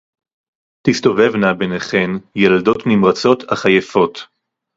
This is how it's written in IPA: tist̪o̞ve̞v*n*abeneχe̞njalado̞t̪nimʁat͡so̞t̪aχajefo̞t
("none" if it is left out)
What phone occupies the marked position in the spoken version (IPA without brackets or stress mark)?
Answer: n